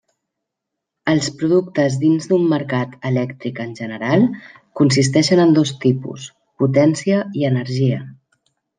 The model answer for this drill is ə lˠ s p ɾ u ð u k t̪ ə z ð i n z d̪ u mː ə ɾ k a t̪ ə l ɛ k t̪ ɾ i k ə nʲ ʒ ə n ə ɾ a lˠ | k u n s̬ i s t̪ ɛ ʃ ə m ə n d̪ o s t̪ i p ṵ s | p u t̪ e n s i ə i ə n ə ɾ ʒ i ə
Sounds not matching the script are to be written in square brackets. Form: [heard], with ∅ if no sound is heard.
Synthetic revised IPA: ə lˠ s p ɾ u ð u k t̪ ə z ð i n z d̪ u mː ə ɾ k a t̪ ə l ɛ k t̪ ɾ i k ə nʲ ʒ ə n ə ɾ a lˠ | k u n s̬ i s t̪ ɛ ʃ ə [n] ə n d̪ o s t̪ i p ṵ s | p u t̪ [ɛ] n s i ə i ə n ə ɾ ʒ i ə